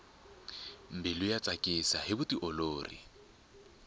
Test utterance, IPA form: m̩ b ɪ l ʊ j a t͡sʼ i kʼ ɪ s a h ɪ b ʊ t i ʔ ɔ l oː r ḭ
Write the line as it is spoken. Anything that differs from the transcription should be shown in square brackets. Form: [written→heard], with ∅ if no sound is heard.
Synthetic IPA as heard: m̩ b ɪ l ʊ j a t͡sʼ [i→a] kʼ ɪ s a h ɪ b ʊ t i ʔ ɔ l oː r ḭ